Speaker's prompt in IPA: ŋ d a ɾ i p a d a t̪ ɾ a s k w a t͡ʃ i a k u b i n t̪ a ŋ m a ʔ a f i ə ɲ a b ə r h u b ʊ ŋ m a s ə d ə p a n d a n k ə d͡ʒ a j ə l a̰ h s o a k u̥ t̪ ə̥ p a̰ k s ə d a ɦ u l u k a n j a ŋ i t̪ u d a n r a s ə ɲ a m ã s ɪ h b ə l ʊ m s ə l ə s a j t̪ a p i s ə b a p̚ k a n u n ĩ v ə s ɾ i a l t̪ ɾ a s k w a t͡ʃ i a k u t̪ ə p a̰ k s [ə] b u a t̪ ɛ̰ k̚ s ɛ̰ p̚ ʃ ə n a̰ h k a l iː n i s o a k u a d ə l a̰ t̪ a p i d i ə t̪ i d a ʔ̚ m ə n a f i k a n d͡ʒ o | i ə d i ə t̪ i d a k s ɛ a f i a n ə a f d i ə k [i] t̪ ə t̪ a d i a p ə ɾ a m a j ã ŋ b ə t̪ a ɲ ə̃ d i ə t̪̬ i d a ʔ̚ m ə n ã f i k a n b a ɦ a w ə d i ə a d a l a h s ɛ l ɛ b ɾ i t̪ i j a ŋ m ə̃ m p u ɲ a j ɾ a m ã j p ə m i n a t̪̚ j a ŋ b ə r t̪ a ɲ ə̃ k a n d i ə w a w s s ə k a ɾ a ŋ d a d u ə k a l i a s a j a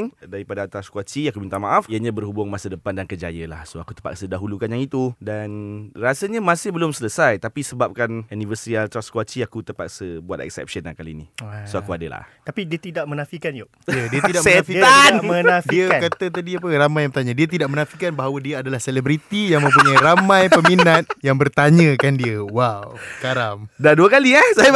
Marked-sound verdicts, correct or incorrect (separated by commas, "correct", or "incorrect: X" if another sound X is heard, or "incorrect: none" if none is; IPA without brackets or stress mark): correct, incorrect: a